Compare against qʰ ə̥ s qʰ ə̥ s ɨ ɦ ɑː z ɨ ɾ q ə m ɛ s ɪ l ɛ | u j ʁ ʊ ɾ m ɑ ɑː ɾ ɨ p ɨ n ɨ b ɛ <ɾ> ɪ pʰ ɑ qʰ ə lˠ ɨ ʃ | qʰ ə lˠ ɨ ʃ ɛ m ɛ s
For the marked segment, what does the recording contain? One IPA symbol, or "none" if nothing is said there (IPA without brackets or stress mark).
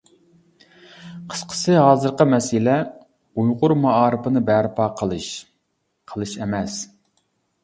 ɾ